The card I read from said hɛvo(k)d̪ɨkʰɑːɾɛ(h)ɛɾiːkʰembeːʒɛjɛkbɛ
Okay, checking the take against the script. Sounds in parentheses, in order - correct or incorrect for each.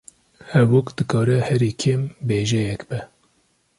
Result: correct, correct

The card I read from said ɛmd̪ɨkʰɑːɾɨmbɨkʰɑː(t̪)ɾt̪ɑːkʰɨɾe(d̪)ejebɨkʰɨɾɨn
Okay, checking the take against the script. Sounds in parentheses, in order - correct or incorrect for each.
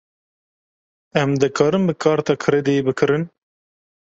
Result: incorrect: none, correct

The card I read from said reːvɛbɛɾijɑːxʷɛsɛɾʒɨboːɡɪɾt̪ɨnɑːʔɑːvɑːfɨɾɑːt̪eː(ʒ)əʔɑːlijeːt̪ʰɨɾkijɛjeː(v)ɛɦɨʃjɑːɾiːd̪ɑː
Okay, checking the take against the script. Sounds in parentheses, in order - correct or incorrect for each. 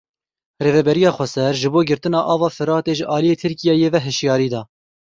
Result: correct, correct

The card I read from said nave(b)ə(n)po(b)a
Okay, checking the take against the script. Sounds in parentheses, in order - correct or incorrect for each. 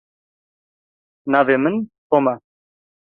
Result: incorrect: m, correct, incorrect: m

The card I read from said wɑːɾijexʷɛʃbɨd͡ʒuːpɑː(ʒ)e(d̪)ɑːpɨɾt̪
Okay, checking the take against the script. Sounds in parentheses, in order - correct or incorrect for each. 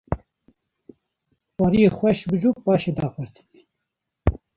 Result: incorrect: ʃ, correct

